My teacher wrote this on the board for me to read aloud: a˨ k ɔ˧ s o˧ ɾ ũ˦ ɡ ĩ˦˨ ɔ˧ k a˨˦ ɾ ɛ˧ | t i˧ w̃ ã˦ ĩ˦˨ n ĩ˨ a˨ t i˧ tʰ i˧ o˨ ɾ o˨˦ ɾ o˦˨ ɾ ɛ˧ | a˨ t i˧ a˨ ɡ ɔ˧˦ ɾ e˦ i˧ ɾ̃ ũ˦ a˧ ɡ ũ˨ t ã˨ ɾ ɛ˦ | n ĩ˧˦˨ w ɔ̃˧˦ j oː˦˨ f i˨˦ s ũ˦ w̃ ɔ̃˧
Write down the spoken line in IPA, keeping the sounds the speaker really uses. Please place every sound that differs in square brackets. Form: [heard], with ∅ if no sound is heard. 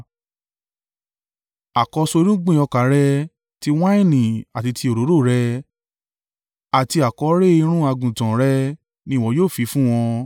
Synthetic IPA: a˨ k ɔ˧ s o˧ ɾ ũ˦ [ɡ͡b] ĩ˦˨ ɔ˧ k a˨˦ ɾ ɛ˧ | t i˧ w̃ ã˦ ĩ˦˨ n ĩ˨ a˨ t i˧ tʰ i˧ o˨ ɾ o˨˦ ɾ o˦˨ ɾ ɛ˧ | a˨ t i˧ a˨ [k] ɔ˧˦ ɾ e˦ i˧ ɾ̃ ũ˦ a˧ ɡ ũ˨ t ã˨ ɾ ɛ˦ | n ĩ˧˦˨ w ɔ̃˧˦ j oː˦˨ f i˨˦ [f] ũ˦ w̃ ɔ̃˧